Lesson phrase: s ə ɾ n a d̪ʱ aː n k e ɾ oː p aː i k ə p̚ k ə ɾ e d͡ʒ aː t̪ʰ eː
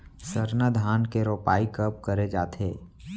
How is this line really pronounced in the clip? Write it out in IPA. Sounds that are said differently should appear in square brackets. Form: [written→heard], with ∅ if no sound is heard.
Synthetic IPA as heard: s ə ɾ n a d̪ʱ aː n k e ɾ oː p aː i k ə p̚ k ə ɾ e d͡ʒ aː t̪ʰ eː